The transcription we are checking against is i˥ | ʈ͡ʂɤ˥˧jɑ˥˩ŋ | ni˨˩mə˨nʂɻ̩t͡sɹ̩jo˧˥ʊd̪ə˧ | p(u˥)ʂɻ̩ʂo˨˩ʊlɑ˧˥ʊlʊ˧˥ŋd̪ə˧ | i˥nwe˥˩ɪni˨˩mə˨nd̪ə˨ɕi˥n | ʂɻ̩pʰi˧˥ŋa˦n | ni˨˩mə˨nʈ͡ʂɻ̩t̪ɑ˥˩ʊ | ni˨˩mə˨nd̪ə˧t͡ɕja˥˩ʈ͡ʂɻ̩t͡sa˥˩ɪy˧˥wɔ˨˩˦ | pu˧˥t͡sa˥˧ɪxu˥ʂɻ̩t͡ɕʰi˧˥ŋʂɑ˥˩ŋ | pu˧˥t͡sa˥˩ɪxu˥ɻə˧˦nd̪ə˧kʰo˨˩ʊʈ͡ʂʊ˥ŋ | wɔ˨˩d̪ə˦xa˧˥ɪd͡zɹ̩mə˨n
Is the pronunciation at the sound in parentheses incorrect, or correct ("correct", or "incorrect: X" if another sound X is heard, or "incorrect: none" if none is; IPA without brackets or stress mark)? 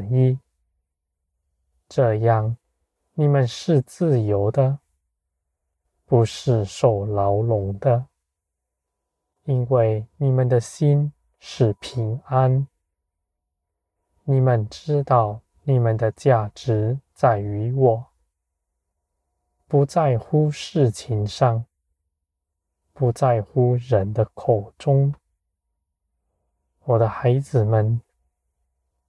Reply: incorrect: u˧˥